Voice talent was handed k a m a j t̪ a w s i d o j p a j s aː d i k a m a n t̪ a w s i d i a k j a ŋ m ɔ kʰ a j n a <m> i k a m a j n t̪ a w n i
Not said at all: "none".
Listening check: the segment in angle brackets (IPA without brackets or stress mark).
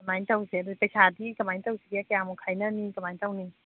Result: n